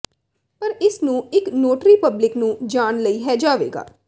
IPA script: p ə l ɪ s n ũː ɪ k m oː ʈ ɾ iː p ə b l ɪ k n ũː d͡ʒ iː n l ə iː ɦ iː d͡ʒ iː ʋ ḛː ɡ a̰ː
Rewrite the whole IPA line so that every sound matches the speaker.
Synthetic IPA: p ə ɾ ɪ s n ũː ɪ k n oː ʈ ɾ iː p ə b l ɪ k n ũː d͡ʒ aː n l ə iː ɦ ɛː d͡ʒ aː ʋ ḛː ɡ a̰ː